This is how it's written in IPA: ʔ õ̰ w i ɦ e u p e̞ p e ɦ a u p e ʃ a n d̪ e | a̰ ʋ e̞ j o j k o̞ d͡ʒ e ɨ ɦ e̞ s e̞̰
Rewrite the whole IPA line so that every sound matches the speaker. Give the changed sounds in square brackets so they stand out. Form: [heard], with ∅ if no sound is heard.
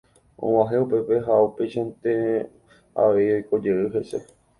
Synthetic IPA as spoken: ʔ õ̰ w [a] ɦ e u p e̞ p e ɦ a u p e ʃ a n [t̪] e | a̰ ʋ e̞ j o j k o̞ d͡ʒ e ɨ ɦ e̞ s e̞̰